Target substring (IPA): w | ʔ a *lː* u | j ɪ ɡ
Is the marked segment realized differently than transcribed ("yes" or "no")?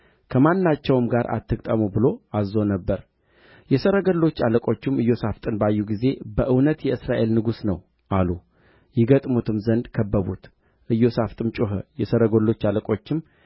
yes